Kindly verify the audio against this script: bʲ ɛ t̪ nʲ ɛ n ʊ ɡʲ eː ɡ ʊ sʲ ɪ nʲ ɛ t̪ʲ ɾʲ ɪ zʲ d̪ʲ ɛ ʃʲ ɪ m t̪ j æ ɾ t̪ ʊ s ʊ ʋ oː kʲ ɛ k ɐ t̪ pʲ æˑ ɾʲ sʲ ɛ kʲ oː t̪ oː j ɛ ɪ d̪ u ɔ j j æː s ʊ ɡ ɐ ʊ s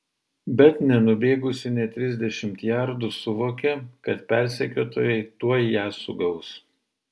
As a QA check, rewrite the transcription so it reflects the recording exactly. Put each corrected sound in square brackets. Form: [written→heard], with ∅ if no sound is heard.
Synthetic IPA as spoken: bʲ ɛ t̪ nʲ ɛ n ʊ [ɡʲ→bʲ] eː ɡ ʊ sʲ ɪ nʲ ɛ t̪ʲ ɾʲ ɪ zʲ d̪ʲ ɛ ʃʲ ɪ m t̪ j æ ɾ [t̪→d̪] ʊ s ʊ ʋ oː kʲ ɛ k ɐ t̪ pʲ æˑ ɾʲ sʲ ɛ kʲ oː t̪ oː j ɛ ɪ [d̪→t̪] u ɔ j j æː s ʊ ɡ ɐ ʊ s